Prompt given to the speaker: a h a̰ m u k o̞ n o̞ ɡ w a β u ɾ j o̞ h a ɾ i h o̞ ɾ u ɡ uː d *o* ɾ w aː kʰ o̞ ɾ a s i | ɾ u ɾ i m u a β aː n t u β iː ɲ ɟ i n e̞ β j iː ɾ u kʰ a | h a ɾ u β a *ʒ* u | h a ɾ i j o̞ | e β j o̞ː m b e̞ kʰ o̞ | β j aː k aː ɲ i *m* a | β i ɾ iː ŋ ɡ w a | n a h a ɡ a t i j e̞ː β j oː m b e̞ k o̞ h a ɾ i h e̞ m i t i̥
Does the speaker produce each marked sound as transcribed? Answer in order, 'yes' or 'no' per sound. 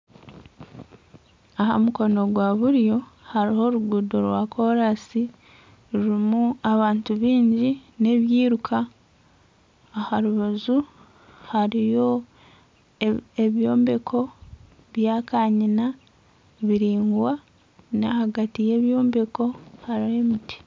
yes, no, no

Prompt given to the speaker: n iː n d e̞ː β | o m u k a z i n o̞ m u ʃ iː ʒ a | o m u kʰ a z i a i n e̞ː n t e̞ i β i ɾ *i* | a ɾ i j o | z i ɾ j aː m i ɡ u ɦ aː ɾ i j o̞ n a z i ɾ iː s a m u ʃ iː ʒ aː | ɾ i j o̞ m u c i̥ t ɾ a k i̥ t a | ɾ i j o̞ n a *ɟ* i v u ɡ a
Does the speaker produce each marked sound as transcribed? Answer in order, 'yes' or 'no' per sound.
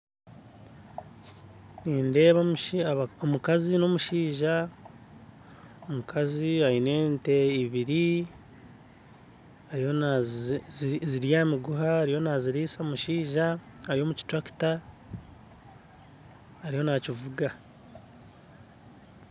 yes, no

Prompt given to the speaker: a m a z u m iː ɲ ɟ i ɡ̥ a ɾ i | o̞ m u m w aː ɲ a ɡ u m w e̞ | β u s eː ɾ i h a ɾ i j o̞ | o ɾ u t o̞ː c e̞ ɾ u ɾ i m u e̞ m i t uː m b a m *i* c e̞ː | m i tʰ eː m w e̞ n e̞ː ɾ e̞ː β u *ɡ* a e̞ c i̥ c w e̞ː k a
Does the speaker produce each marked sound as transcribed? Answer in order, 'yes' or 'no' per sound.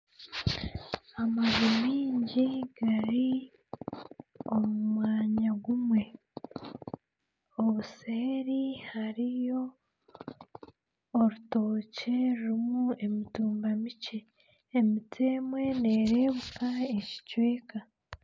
yes, no

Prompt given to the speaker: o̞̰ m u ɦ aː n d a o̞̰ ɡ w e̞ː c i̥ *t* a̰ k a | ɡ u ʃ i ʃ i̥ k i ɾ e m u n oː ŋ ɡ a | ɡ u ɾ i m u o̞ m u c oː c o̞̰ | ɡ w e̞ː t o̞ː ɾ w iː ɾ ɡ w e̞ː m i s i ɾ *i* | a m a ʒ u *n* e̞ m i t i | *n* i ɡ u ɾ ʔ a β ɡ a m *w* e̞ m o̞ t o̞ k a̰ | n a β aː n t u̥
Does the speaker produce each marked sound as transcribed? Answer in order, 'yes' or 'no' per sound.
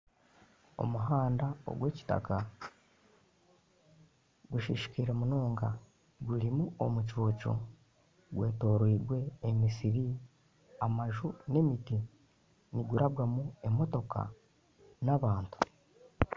yes, yes, yes, yes, no

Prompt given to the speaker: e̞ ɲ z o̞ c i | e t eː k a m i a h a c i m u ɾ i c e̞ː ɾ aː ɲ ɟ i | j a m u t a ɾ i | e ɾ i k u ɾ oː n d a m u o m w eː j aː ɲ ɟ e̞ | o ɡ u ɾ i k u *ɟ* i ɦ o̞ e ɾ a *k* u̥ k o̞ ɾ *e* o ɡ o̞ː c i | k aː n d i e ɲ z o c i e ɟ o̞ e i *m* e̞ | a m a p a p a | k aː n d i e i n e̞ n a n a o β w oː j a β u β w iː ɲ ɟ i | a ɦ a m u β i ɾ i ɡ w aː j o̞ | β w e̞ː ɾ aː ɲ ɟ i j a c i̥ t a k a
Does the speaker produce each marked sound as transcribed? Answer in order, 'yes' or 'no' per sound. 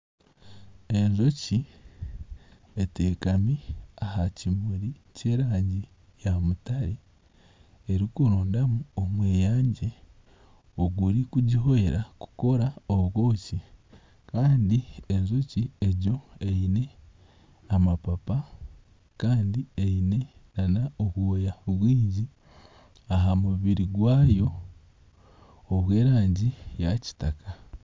yes, yes, no, no

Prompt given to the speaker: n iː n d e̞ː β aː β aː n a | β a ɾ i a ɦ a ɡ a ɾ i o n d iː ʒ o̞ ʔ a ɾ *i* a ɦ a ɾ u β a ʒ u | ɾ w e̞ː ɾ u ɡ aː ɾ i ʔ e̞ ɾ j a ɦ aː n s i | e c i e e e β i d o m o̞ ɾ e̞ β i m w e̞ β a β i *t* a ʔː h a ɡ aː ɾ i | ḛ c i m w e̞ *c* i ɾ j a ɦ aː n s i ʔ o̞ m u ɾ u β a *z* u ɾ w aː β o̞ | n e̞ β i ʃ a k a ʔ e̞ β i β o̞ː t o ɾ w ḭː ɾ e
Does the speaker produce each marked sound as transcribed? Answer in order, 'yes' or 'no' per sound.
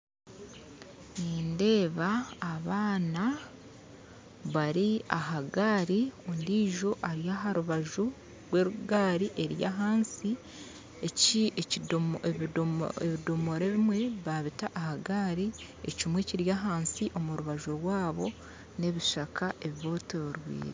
no, yes, yes, no

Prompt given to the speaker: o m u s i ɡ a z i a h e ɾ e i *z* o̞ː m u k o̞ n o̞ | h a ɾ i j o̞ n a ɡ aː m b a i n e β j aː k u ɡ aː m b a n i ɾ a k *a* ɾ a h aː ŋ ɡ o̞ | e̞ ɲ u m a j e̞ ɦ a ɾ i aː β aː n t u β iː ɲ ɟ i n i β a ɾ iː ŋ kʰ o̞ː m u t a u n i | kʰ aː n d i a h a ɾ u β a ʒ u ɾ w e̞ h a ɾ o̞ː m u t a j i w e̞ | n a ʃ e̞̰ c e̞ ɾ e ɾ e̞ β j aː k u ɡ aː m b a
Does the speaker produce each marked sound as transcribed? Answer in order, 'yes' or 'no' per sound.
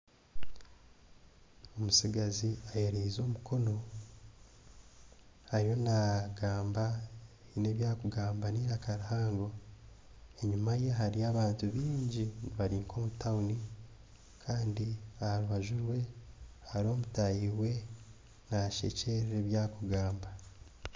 yes, yes

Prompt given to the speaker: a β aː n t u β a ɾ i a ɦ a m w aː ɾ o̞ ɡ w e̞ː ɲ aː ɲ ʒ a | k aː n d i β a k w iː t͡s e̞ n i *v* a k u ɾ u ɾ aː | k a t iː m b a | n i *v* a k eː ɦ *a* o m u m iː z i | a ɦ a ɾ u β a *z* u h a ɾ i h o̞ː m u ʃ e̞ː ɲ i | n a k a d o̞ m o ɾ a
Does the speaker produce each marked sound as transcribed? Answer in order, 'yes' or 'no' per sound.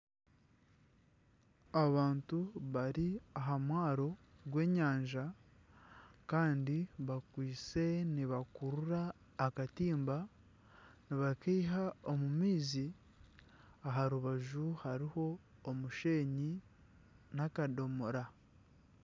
no, no, yes, no

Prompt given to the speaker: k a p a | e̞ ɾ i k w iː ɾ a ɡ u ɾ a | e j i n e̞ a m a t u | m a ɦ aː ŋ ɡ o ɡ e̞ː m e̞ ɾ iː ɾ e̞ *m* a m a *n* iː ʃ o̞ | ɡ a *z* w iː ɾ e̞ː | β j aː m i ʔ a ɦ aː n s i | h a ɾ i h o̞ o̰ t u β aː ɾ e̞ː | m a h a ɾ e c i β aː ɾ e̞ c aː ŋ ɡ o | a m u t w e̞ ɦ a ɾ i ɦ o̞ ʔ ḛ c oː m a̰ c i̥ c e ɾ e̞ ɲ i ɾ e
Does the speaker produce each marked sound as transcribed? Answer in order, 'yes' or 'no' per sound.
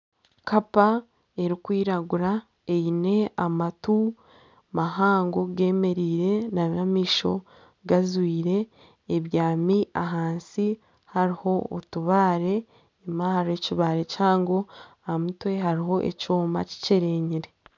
no, no, yes

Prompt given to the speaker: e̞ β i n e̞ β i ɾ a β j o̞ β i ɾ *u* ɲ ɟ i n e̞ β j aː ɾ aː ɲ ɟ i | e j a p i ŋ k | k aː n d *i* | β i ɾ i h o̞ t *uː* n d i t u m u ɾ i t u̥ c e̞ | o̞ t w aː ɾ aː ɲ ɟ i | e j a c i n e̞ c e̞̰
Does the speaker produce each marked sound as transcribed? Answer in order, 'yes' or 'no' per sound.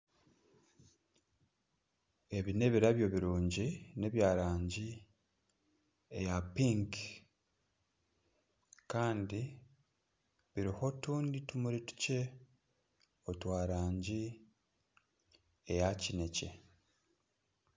no, yes, yes

